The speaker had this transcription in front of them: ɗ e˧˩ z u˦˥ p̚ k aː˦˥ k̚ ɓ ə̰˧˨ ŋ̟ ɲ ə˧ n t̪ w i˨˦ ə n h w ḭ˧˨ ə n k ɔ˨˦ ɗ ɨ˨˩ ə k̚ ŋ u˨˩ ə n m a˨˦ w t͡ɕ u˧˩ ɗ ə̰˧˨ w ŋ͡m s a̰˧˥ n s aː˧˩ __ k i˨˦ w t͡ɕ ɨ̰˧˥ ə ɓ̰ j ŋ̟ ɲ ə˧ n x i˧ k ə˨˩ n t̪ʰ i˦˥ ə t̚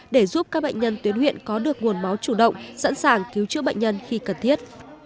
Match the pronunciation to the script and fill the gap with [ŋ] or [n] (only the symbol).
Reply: ŋ